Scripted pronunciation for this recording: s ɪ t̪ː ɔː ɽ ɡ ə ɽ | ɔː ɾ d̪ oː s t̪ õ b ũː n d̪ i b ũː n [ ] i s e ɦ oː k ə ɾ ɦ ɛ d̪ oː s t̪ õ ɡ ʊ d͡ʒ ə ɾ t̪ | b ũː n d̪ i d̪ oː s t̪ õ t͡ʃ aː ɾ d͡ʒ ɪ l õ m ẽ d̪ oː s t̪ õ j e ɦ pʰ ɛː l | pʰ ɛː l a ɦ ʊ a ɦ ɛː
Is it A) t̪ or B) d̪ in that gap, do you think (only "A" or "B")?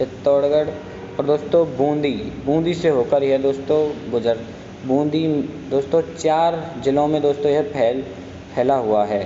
B